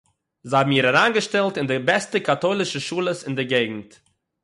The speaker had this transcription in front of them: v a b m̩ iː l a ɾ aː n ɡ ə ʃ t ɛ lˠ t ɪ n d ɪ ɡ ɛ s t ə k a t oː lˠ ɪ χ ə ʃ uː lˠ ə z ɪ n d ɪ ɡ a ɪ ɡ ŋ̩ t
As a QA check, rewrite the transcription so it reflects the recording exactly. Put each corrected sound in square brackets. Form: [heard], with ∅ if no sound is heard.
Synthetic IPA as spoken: [z] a b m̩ iː [ɾ] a ɾ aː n ɡ ə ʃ t ɛ lˠ t ɪ n d ɪ [b] ɛ s t ə k a t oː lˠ ɪ [ʃ] ə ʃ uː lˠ ə [s] ɪ n d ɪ ɡ [e] ɪ ɡ ŋ̩ t